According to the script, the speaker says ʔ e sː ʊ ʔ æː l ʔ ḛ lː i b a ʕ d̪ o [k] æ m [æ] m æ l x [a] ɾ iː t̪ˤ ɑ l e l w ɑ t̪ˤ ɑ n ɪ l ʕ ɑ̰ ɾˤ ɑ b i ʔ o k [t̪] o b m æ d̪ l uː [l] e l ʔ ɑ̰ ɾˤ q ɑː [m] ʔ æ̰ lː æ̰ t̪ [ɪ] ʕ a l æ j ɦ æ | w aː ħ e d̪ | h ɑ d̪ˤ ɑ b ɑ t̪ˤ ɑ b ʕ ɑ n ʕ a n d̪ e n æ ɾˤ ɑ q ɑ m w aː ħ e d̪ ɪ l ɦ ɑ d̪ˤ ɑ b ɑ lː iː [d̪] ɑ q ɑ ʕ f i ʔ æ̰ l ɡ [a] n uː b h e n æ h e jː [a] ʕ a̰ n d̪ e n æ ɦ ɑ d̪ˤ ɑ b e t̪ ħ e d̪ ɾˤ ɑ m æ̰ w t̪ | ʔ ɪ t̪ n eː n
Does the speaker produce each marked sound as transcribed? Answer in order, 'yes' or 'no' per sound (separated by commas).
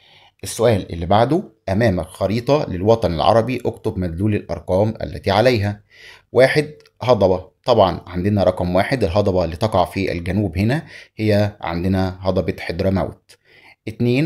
no, no, no, yes, yes, yes, no, no, no, no